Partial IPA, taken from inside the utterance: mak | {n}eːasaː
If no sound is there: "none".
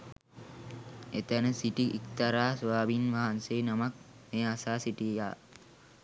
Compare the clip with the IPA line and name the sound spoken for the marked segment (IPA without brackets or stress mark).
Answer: m